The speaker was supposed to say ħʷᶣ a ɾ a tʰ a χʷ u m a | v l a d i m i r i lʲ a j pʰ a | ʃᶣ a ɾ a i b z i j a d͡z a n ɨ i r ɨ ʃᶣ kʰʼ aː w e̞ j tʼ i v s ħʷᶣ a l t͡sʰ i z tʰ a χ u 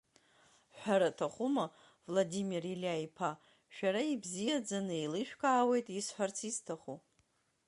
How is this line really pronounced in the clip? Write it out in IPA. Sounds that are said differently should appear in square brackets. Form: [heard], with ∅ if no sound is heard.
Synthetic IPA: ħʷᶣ a ɾ a tʰ a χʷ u m a | v l a d i m i r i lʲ a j pʰ a | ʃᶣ a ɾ a i b z i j a d͡z a n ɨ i [l] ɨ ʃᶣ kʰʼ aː w e̞ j tʼ i [∅] s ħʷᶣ a [r] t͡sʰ i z tʰ a χ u